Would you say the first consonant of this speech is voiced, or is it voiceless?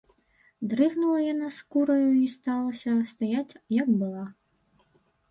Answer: voiced